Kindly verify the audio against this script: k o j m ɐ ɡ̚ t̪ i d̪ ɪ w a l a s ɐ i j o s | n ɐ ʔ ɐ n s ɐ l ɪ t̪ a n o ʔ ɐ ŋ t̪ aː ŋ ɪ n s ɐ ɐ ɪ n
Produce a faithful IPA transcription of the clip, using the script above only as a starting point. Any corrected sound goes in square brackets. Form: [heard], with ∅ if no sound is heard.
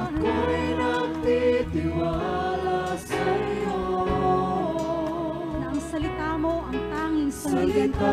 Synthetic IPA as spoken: k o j [n] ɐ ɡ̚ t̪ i [t̪] ɪ w a l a s ɐ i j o [∅] | n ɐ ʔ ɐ [ŋ] s ɐ l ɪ t̪ a [m] o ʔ ɐ ŋ t̪ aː ŋ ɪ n s ɐ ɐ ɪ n